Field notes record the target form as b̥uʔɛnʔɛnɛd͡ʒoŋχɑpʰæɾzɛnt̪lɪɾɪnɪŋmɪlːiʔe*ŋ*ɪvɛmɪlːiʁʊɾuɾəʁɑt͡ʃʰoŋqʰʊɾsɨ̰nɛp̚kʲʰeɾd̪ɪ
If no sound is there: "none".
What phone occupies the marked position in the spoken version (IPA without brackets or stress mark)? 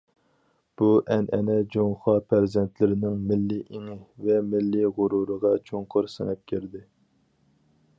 ŋ